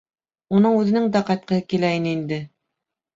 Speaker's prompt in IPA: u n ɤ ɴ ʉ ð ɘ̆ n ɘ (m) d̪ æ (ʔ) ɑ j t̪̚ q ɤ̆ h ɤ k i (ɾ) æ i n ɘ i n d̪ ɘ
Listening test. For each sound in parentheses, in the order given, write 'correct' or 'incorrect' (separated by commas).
incorrect, incorrect, incorrect